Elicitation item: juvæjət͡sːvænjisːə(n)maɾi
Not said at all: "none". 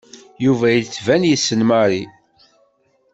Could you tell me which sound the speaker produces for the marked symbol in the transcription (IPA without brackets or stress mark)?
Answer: n